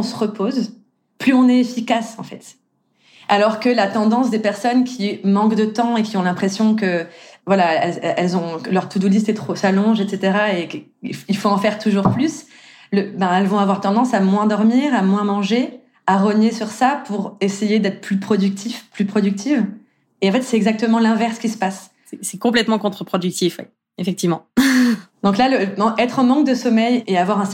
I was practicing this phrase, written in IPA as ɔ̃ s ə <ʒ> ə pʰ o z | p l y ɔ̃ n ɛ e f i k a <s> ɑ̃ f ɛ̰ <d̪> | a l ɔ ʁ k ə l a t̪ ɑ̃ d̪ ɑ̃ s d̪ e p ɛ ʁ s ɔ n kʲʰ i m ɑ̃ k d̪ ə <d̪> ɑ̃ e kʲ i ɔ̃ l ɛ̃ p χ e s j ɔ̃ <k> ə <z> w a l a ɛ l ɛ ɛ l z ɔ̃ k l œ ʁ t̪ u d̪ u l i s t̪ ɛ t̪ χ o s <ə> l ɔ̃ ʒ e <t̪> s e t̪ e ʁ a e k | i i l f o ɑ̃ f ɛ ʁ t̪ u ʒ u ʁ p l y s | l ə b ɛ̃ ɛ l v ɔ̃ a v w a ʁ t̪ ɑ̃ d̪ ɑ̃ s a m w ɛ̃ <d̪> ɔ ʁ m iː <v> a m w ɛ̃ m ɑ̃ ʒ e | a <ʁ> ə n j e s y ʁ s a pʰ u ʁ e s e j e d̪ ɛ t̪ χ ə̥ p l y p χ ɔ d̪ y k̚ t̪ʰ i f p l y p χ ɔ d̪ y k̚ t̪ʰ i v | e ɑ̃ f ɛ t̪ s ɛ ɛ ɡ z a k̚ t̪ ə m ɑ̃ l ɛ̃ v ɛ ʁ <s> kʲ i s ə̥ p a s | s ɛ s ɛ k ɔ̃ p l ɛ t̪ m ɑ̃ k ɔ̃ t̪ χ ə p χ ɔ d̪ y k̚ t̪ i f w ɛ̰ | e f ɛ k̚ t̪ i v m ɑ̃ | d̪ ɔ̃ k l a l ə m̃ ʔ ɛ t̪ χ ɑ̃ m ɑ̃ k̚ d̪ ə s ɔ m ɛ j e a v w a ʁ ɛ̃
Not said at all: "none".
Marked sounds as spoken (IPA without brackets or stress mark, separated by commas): ʁ, s, t̪, t̪, k, v, a, t̪, d̪, ʁ, ʁ, s